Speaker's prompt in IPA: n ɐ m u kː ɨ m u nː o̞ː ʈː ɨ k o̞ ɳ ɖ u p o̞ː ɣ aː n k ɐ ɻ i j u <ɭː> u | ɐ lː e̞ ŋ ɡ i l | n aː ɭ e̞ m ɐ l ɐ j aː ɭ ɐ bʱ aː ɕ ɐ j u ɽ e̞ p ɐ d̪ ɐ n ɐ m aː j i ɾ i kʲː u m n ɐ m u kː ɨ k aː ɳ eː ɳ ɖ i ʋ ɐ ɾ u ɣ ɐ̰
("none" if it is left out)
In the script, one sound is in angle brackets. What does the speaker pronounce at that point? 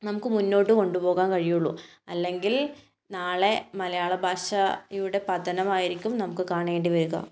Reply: ɭː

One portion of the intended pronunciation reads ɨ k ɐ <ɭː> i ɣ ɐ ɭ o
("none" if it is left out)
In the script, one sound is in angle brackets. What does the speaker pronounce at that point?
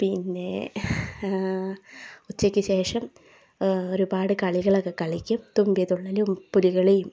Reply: ɭ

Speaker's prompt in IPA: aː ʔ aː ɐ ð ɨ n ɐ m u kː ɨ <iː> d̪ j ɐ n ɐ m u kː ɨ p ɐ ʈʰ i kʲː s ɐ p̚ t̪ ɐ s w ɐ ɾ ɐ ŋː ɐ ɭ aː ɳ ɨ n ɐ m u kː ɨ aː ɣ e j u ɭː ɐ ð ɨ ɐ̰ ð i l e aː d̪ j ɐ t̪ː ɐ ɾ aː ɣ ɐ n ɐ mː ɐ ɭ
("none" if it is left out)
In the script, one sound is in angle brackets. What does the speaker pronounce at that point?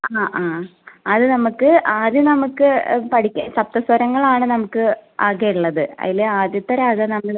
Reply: aː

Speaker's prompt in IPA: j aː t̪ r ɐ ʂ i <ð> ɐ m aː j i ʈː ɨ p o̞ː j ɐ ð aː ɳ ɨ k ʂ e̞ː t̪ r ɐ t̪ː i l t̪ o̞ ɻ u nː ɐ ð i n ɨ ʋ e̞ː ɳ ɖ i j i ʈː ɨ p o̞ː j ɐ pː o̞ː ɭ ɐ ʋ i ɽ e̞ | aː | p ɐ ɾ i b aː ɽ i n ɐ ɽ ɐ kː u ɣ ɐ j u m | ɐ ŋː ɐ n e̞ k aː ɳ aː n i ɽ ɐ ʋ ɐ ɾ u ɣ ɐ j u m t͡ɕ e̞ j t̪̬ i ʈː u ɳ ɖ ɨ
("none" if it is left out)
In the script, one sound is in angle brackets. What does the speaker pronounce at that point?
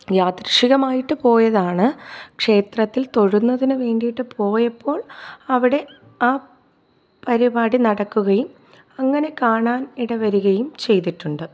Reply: ɣ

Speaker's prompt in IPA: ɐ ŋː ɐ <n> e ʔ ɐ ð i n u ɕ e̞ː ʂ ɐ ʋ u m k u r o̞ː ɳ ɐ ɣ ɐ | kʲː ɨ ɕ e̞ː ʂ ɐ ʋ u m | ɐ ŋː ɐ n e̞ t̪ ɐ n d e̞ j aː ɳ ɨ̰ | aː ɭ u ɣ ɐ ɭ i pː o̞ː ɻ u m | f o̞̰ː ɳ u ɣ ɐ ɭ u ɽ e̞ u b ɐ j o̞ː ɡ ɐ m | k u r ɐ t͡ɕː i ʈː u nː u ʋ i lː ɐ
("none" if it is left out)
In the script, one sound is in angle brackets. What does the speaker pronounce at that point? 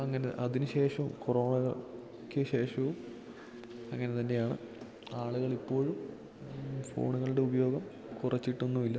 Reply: n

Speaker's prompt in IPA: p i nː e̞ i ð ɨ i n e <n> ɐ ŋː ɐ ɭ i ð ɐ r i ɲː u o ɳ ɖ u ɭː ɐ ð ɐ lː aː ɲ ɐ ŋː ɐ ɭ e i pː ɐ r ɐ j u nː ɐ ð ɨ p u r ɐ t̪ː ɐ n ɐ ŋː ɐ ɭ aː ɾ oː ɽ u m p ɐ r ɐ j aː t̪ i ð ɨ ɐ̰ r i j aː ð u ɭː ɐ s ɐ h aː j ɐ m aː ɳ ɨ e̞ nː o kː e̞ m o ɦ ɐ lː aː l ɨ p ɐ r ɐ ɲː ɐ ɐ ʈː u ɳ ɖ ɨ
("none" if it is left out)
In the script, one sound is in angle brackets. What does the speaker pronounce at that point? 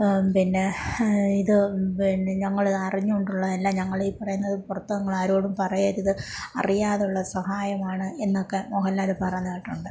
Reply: ɲ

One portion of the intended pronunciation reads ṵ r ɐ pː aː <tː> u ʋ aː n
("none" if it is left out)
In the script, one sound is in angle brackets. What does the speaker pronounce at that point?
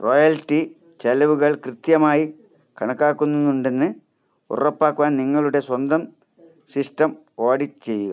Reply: kː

